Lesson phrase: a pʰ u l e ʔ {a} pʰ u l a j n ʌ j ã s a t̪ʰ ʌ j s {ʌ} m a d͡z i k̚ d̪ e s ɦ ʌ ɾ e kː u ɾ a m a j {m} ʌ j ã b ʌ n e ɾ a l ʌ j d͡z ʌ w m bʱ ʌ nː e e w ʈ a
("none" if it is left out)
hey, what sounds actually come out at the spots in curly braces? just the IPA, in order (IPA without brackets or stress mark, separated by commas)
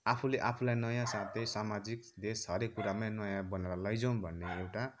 a, a, n